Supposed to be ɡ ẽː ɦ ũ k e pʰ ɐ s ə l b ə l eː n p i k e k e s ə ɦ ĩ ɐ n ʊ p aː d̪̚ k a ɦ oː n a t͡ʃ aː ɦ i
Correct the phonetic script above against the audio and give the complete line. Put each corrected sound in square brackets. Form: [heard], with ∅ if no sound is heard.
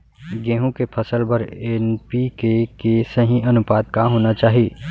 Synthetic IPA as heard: ɡ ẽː ɦ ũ k e pʰ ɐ s ə l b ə [ɾ] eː n p i k e k e s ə ɦ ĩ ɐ n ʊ p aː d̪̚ k a ɦ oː n a t͡ʃ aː ɦ i